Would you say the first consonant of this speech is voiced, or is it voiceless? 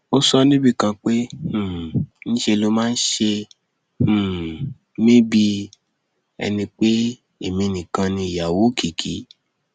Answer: voiceless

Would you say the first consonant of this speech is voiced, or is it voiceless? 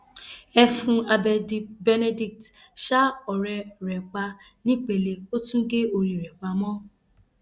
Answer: voiceless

